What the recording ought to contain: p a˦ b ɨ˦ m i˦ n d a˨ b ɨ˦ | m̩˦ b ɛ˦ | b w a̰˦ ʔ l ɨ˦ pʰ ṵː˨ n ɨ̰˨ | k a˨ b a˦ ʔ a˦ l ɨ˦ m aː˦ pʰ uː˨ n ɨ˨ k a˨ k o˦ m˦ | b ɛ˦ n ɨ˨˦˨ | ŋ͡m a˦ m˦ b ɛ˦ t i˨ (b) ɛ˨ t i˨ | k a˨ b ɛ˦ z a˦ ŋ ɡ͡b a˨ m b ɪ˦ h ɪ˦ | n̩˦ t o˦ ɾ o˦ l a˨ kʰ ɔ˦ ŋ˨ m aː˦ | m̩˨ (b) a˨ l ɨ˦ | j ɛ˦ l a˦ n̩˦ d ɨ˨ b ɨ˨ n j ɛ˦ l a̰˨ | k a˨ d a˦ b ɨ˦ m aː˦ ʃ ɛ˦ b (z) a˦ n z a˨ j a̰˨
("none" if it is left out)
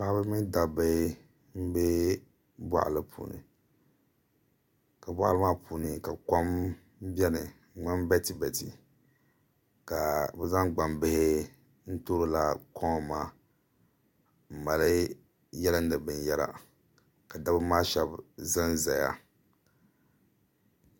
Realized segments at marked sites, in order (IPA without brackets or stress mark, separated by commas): b, m, z